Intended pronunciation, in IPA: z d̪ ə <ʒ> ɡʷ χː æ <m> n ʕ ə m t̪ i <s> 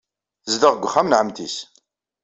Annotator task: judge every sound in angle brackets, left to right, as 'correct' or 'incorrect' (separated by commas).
incorrect, correct, correct